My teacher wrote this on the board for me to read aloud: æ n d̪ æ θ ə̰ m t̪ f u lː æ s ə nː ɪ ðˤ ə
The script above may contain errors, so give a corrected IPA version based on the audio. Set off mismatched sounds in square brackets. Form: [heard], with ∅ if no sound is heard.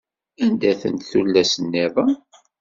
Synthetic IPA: æ n d̪ æ θ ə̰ [n] t̪ [θ] u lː æ s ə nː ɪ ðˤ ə